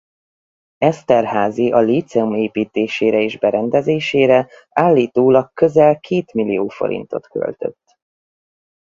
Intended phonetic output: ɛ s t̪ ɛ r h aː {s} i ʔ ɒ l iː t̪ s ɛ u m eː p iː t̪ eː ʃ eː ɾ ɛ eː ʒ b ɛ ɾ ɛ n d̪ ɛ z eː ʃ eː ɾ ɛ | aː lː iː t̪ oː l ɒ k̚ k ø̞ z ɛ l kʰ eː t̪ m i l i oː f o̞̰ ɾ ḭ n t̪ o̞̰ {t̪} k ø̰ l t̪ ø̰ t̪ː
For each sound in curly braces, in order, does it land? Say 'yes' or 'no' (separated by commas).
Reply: no, yes